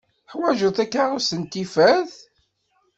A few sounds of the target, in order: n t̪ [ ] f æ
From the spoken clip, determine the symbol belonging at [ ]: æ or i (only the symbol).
i